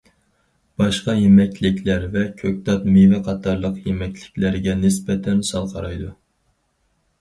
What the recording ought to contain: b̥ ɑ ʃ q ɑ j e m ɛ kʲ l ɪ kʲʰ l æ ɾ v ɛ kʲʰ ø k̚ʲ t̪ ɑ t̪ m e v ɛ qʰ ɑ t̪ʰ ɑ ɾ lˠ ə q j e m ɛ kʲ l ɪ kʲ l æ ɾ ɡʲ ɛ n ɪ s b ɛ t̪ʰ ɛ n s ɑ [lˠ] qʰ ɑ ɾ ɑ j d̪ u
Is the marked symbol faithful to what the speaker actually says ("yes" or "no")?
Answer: yes